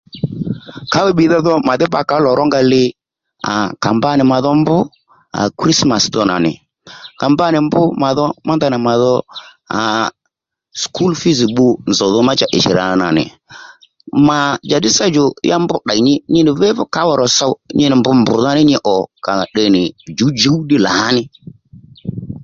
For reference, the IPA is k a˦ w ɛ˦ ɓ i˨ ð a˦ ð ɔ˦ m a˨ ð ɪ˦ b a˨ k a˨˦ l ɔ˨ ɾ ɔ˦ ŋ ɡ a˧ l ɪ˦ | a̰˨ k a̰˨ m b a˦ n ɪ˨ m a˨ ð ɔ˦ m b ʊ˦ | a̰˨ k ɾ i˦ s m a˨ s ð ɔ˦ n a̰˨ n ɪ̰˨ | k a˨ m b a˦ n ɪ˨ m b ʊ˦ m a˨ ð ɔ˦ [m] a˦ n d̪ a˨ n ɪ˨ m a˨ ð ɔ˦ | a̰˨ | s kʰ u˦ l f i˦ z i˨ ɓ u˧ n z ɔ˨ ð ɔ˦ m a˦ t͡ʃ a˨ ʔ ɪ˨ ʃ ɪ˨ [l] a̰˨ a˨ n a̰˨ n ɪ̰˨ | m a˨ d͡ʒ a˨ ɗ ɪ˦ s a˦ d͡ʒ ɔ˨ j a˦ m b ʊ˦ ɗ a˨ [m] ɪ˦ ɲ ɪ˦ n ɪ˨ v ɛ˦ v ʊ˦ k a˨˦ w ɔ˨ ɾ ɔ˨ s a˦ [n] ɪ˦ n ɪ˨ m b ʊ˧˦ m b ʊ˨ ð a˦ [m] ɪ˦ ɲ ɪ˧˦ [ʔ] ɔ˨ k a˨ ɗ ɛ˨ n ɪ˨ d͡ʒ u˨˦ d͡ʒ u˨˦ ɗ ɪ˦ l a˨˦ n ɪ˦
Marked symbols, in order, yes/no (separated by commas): yes, no, no, no, no, yes